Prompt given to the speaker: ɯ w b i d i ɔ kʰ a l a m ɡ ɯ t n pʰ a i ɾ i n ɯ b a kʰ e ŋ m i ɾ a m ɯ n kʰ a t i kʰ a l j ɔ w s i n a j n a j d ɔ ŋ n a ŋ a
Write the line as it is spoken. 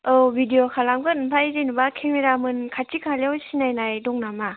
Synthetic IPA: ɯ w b i d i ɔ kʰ a l a m ɡ ɯ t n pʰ a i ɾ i n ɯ b a kʰ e ŋ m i ɾ a m ɯ n kʰ a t i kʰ a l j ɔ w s i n a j n a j d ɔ ŋ n a m a